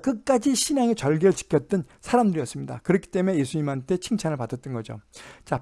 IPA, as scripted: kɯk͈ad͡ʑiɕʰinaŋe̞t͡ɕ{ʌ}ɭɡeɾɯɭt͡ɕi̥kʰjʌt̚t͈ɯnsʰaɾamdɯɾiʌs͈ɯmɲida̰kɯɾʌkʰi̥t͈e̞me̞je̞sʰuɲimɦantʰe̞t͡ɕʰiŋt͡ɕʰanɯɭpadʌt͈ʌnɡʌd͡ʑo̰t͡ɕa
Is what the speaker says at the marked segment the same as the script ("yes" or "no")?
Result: yes